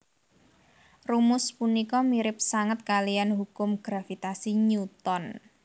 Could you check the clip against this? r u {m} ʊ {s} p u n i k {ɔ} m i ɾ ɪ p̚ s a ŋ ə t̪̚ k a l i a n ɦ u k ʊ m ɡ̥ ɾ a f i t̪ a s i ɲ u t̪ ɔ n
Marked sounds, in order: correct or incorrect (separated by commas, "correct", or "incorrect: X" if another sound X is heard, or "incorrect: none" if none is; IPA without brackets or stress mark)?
correct, correct, correct